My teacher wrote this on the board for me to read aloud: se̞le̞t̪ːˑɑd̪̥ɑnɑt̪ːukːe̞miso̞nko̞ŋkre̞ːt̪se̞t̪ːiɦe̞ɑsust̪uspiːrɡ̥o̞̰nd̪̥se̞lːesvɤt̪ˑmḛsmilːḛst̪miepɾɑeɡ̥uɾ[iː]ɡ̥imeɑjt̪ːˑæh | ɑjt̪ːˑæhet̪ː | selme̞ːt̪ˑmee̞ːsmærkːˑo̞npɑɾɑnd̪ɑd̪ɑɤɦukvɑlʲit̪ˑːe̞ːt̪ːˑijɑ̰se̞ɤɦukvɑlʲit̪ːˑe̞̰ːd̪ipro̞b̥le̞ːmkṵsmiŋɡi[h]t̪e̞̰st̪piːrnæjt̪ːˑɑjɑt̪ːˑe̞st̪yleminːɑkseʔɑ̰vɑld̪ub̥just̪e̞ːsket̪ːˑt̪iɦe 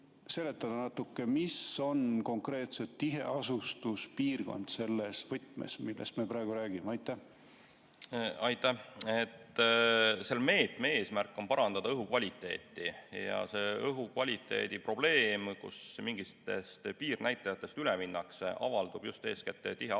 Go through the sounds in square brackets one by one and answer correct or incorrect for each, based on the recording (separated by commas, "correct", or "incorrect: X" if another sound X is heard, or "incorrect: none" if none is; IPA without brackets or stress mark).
incorrect: æː, incorrect: s